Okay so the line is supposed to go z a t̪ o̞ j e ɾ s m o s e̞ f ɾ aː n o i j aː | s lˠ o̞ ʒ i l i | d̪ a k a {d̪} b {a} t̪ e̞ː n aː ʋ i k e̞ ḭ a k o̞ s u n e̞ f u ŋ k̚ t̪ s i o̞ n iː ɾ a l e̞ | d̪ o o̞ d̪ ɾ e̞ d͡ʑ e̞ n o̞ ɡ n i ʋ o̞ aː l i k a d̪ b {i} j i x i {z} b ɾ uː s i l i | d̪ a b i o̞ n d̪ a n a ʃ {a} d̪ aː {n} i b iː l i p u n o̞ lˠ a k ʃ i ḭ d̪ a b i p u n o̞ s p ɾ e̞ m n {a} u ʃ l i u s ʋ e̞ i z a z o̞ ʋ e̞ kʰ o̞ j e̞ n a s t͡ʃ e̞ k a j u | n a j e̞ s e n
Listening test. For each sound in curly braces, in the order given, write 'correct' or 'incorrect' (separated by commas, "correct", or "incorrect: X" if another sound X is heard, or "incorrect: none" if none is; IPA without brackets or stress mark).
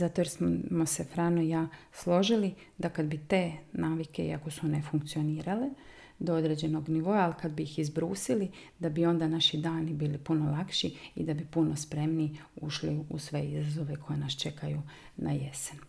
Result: correct, incorrect: i, correct, correct, incorrect: i, correct, incorrect: i